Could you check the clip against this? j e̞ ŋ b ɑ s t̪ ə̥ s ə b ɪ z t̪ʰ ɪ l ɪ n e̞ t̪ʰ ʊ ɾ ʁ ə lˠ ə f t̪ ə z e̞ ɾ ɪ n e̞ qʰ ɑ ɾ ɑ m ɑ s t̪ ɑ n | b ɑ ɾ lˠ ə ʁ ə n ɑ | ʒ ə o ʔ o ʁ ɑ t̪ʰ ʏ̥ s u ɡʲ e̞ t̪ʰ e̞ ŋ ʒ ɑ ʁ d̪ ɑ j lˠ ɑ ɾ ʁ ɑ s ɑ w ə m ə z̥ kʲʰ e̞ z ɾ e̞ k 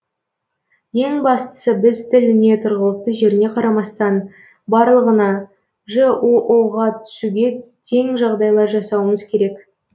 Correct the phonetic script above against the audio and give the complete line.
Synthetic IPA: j e̞ ŋ b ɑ s t̪ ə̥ s ə b ɪ z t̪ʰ ɪ l ɪ n e̞ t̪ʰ ʊ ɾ ʁ ə lˠ ə f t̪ ə ʒ e̞ ɾ ɪ n e̞ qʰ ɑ ɾ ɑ m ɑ s t̪ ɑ n | b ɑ ɾ lˠ ə ʁ ə n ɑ | ʒ ə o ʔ o ʁ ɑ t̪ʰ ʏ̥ s u ɡʲ e̞ t̪ʰ e̞ ŋ ʒ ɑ ʁ d̪ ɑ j lˠ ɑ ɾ ʒ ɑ s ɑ w ə m ə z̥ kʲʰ e̞ ɾ e̞ k